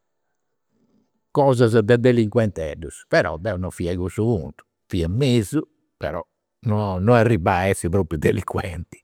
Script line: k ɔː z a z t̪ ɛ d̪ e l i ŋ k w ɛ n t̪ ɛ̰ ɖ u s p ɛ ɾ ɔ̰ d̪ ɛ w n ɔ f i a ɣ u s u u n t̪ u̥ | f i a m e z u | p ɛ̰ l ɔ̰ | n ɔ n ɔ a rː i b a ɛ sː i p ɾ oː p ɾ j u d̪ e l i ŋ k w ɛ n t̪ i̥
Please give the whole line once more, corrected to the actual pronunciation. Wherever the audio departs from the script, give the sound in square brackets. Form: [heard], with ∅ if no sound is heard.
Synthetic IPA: k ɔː z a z [d̪] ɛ d̪ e l i ŋ k w ɛ n t̪ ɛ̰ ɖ u s p ɛ ɾ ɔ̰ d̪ ɛ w n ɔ f i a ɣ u s u u n t̪ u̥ | f i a m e z u | p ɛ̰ [ɾ] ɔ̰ | n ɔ n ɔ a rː i b a ɛ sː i p ɾ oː p ɾ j u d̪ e l i ŋ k w ɛ n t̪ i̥

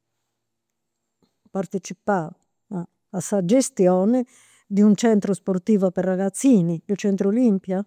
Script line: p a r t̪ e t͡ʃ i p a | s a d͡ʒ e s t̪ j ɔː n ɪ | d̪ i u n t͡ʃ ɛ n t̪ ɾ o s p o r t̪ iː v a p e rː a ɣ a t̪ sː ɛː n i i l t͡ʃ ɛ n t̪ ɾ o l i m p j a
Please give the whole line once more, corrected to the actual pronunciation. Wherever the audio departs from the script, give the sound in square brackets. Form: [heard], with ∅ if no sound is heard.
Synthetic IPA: p a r t̪ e t͡ʃ i p a | s a d͡ʒ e s t̪ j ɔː n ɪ | d̪ i u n t͡ʃ ɛ n t̪ ɾ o s p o r t̪ iː v a p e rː a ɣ a t̪ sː [iː] n i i l t͡ʃ ɛ n t̪ ɾ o l i m p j a

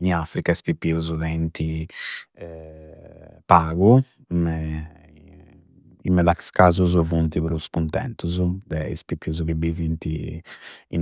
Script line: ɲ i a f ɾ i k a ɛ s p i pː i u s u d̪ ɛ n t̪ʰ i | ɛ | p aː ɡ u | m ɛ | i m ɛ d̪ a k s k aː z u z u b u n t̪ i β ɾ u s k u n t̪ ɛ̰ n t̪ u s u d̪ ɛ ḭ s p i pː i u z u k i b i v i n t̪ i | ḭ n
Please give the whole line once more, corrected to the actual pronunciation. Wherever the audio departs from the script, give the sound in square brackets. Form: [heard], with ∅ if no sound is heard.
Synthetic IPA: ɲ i a f ɾ i k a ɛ s p i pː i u [z] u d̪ ɛ n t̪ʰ i | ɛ | p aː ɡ u | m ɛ | i m ɛ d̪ a k s k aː z u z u [v] u n t̪ i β ɾ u s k u n t̪ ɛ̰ n t̪ u [z] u d̪ ɛ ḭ s p i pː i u z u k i b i v i n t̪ i | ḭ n

